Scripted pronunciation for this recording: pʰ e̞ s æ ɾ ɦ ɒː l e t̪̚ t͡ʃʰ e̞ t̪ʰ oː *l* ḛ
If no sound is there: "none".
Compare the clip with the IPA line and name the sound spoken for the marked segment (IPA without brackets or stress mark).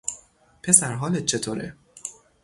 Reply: ɾ